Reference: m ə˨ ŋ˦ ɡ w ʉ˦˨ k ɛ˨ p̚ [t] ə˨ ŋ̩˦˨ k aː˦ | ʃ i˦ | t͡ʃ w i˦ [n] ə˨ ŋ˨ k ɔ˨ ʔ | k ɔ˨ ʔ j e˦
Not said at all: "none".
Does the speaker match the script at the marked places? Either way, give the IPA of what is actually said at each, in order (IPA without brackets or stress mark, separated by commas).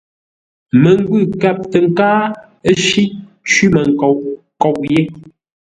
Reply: t, m